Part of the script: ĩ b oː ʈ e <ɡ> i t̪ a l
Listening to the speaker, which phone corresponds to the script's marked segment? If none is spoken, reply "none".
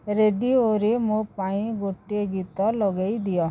ɡ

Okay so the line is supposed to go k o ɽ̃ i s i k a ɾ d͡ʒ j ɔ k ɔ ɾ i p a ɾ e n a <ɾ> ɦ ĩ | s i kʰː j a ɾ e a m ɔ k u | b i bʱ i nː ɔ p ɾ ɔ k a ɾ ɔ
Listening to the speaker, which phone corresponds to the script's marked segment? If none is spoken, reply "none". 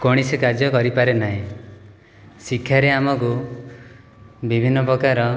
none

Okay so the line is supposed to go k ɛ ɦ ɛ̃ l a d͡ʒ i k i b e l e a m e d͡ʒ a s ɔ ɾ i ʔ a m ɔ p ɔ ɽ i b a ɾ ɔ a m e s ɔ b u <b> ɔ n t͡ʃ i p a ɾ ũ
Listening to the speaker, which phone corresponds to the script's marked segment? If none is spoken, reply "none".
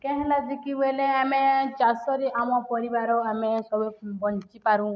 b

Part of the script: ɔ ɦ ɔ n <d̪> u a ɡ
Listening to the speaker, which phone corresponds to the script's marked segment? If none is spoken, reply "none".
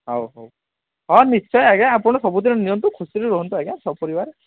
t̪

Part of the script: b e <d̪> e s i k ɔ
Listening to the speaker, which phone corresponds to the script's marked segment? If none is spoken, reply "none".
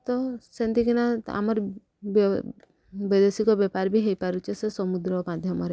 d̪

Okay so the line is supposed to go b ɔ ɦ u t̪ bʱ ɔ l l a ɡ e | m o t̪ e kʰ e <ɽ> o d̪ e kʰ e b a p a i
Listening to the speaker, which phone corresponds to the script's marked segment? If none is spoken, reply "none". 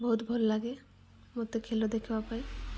l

